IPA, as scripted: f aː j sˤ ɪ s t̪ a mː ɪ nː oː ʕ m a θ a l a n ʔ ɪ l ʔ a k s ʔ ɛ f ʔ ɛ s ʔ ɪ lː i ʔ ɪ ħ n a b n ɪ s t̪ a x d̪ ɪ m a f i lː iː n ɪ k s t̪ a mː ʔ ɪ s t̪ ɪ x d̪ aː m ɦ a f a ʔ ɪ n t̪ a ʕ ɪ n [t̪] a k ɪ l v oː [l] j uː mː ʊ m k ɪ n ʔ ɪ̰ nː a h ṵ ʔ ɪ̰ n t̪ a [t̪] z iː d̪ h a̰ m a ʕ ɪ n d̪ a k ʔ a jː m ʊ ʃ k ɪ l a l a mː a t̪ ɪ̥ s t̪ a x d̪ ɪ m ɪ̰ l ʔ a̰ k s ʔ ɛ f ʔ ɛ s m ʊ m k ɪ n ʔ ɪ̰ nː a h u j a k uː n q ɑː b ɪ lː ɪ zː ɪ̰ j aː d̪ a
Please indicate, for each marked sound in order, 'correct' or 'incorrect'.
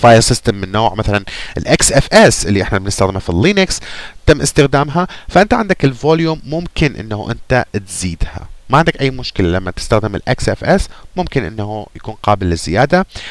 incorrect: d̪, correct, correct

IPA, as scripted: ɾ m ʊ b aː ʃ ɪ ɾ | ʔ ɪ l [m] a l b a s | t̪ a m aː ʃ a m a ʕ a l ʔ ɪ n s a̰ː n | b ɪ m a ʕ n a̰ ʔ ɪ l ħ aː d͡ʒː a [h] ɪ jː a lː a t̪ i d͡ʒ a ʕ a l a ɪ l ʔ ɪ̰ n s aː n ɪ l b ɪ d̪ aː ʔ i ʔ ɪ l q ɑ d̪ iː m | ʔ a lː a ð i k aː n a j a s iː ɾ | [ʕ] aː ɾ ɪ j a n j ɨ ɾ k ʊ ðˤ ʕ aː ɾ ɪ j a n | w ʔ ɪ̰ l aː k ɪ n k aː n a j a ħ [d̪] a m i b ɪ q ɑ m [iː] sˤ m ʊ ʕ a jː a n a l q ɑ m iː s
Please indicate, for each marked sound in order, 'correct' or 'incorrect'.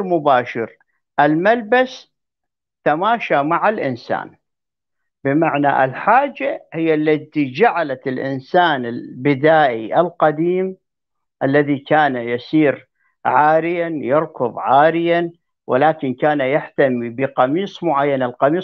correct, correct, correct, incorrect: t̪, correct

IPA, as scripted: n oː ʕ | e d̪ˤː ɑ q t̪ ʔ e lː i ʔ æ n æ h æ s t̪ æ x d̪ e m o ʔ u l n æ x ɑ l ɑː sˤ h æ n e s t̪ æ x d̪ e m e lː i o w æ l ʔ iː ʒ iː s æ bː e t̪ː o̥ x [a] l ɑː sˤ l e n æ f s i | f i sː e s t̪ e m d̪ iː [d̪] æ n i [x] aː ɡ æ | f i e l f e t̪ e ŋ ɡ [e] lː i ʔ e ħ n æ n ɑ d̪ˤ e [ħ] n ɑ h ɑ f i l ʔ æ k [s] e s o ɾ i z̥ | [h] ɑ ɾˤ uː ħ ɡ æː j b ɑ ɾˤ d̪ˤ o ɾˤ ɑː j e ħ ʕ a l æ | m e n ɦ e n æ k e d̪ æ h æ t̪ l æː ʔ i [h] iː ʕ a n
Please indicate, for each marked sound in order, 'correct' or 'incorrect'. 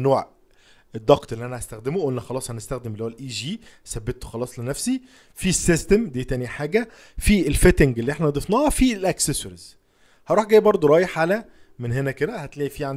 incorrect: ɑ, incorrect: t̪, incorrect: ħ, correct, incorrect: f, correct, correct, incorrect: f

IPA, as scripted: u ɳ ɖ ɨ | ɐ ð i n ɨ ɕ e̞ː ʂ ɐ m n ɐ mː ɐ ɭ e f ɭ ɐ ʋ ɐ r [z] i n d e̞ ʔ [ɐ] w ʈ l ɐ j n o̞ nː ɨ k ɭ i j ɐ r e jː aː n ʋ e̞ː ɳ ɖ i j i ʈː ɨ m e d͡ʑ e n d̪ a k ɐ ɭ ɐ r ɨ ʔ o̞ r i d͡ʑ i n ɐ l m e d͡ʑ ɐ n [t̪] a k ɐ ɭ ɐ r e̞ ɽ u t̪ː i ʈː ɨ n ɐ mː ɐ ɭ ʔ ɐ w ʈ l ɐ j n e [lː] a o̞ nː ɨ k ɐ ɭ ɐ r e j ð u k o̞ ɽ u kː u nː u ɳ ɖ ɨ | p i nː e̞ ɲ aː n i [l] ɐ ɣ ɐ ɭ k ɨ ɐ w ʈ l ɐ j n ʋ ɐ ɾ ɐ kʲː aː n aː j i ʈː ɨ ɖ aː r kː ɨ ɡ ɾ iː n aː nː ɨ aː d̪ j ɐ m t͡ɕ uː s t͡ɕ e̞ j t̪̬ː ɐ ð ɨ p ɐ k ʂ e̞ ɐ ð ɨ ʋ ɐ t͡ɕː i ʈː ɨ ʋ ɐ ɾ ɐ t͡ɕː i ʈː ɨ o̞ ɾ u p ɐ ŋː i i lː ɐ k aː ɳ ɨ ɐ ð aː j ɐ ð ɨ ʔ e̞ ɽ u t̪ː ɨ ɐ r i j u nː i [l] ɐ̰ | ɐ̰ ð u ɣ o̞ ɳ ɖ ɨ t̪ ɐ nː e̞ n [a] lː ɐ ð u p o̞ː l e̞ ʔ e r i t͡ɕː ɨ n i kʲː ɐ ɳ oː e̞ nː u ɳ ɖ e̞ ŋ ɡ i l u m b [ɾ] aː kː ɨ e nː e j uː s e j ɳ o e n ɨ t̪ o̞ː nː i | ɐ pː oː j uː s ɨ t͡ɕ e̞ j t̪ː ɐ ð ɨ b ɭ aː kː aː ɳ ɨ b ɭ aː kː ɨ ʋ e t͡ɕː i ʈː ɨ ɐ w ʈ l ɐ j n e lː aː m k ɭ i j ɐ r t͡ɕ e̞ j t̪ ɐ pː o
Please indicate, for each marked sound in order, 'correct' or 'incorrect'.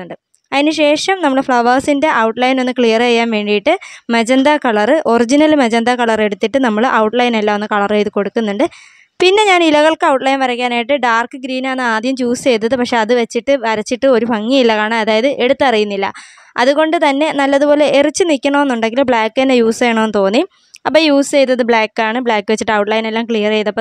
incorrect: s, correct, incorrect: d̪, correct, correct, incorrect: lː, incorrect: ɐ, incorrect: ɭ

